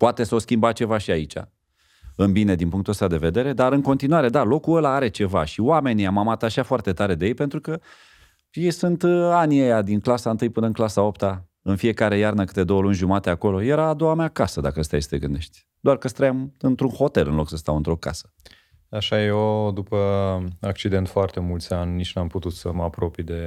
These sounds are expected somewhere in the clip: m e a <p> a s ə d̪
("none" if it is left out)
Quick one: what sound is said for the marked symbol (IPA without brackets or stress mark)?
k